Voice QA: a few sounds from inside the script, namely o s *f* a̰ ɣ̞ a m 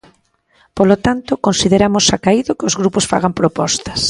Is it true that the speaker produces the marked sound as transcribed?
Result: yes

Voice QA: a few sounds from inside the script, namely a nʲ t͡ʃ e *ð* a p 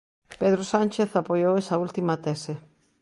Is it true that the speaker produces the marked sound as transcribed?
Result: no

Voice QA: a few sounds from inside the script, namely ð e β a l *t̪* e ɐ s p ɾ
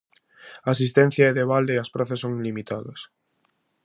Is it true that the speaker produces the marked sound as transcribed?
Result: no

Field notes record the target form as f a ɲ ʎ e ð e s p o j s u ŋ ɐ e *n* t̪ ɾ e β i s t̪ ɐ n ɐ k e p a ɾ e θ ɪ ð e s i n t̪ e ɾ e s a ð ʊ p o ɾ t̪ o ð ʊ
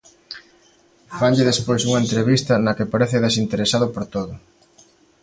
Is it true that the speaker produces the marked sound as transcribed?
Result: yes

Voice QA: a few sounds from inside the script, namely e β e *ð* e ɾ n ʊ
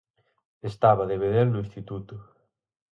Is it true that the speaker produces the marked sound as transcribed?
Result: yes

